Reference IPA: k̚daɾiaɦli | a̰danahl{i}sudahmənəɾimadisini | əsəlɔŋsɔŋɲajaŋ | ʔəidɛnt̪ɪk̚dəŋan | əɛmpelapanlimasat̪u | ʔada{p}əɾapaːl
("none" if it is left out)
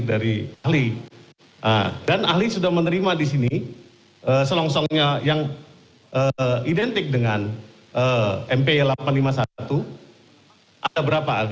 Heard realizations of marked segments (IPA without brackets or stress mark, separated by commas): i, b